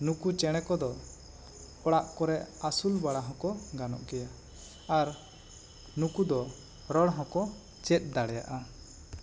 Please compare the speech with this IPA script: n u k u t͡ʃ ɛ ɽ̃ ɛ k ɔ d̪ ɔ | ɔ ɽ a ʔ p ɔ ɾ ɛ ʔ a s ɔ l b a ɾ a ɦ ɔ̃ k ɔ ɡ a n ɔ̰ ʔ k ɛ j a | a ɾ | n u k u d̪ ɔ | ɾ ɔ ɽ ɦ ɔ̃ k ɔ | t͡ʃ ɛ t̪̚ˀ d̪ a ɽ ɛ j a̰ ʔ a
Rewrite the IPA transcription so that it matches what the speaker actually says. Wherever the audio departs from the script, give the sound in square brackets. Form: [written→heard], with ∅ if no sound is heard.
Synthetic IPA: n u k u t͡ʃ ɛ ɽ̃ ɛ k ɔ d̪ ɔ | ɔ ɽ a ʔ [p→k] ɔ ɾ ɛ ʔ a s [ɔ→u] l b a [ɾ→ɽ] a ɦ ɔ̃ k ɔ ɡ a n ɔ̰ ʔ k ɛ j a | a ɾ | n u k u d̪ ɔ | ɾ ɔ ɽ ɦ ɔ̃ k ɔ | t͡ʃ ɛ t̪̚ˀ d̪ a ɽ ɛ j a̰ ʔ a

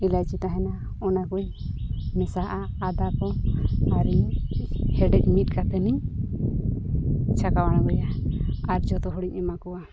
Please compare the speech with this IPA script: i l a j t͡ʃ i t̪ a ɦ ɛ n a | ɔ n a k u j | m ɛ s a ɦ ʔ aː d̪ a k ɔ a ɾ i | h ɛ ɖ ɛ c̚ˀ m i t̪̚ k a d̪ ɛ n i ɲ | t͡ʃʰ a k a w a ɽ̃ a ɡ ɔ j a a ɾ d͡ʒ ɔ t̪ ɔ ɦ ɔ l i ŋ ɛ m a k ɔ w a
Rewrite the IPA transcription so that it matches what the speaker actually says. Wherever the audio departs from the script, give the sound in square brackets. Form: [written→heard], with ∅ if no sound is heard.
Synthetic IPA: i l a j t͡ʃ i t̪ a ɦ ɛ n a | ɔ n a k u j | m ɛ s a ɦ ʔ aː d̪ a k ɔ a ɾ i | h ɛ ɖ ɛ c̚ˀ m i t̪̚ k a [d̪→t̪] ɛ n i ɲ | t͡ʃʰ a k a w a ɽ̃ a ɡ ɔ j a a ɾ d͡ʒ ɔ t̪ ɔ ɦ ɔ [l→ɽ] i [ŋ→ɲ] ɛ m a k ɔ w a

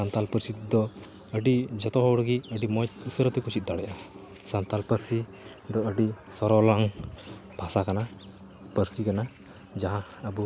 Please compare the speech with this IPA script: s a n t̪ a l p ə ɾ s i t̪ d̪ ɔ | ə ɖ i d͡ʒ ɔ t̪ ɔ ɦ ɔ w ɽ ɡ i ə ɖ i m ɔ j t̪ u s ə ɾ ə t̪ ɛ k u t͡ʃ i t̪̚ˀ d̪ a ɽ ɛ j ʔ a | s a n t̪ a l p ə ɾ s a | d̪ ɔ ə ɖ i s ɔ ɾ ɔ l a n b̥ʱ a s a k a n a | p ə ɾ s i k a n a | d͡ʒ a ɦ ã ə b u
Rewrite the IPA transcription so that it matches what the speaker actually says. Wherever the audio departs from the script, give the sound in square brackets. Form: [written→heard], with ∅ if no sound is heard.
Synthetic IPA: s a n t̪ a l p ə ɾ s i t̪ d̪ ɔ | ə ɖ i d͡ʒ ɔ t̪ ɔ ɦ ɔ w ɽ ɡ i ə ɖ i m ɔ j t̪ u s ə ɾ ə t̪ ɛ k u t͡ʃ i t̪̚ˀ d̪ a ɽ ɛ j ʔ a | s a n t̪ a l p ə ɾ s [a→i] | d̪ ɔ ə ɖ i s ɔ ɾ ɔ l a [n→ŋ] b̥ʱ a s a k a n a | p ə ɾ s i k a n a | d͡ʒ a ɦ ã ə b u

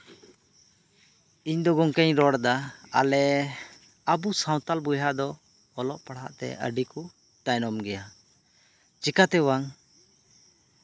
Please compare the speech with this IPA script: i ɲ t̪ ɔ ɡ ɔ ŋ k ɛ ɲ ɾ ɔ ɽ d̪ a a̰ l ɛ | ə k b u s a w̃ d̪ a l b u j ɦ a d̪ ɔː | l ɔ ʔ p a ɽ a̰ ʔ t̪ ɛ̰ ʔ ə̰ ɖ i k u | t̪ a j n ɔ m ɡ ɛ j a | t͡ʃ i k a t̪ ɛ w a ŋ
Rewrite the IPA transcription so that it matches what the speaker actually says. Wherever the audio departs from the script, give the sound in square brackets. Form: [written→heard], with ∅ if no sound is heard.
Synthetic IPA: i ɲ [t̪→d̪] ɔ ɡ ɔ ŋ k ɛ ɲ ɾ ɔ ɽ d̪ a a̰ l ɛ | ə [k→∅] b u s a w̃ [d̪→t̪] a l b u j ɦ a d̪ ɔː | l ɔ ʔ p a ɽ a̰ ʔ t̪ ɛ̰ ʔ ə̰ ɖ i k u | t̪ a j n ɔ m ɡ ɛ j a | t͡ʃ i k a t̪ ɛ w a ŋ

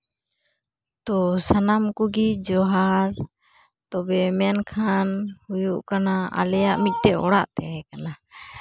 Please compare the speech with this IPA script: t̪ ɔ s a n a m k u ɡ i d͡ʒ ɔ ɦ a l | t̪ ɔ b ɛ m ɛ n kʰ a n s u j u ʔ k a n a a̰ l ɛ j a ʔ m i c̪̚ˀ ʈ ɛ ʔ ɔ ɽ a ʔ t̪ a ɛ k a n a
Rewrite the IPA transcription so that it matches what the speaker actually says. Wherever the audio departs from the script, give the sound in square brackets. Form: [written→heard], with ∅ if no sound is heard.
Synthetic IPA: t̪ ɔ s a n a m k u ɡ i d͡ʒ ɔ ɦ a [l→ɾ] | t̪ ɔ b ɛ m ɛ n kʰ a n [s→h] u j u ʔ k a n a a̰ l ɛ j a ʔ m i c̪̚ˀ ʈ ɛ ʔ ɔ ɽ a ʔ t̪ [a→ɛ] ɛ k a n a

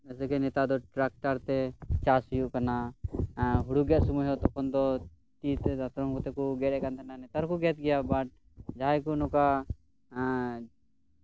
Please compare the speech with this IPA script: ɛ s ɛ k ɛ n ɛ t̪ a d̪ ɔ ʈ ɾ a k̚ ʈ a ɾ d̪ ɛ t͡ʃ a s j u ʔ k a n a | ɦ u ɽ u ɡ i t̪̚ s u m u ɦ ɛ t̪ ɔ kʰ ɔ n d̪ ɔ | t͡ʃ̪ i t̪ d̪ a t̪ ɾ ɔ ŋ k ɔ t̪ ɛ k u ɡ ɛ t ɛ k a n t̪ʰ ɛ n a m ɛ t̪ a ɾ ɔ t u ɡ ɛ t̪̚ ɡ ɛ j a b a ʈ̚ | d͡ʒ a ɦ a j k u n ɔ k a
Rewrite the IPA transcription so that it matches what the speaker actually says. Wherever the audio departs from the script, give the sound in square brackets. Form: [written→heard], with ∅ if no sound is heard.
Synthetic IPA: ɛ s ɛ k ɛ n ɛ t̪ a d̪ ɔ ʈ ɾ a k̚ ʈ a ɾ [d̪→t̪] ɛ t͡ʃ a s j u ʔ k a n a | ɦ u ɽ u ɡ [i→ɛ] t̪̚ s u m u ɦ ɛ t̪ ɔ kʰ ɔ n d̪ ɔ | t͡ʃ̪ i t̪ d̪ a t̪ ɾ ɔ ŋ k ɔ t̪ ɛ k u ɡ ɛ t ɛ k a n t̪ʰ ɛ n a [m→n] ɛ t̪ a ɾ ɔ [t→k] u ɡ ɛ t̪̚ ɡ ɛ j a b a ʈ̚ | d͡ʒ a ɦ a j k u n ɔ k a

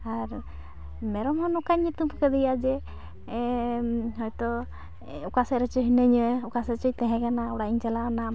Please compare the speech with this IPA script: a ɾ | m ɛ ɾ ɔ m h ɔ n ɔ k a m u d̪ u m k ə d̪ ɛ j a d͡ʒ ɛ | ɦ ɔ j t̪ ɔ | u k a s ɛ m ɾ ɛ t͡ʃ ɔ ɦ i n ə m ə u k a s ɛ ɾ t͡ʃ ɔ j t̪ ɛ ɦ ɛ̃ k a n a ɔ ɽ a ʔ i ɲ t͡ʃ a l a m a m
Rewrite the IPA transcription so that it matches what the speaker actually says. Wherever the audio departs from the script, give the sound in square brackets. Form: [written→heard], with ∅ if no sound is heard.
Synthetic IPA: a ɾ | m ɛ ɾ ɔ m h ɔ n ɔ k a [m→ɲ] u [d̪→t̪] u m k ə d̪ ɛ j a d͡ʒ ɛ | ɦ ɔ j t̪ ɔ | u k a s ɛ [m→∅] ɾ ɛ t͡ʃ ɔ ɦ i n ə [m→ɲ] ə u k a s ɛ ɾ t͡ʃ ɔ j t̪ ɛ ɦ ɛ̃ k a n a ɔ ɽ a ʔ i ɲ t͡ʃ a l a [m→n] a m

